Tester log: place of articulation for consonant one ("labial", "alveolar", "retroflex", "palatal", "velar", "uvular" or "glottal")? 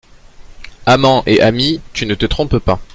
labial